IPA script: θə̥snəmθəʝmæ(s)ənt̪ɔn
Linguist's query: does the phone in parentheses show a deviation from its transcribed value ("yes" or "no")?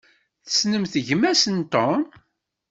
no